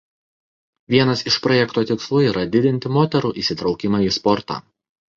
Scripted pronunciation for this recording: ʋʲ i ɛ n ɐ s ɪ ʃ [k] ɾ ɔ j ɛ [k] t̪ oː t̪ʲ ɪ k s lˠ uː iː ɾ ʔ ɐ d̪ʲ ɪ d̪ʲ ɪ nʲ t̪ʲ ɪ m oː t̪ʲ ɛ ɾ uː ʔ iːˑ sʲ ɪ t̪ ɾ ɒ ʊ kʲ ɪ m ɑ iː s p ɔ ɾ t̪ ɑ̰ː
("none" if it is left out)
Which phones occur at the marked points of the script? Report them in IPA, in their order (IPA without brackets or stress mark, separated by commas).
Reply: p, k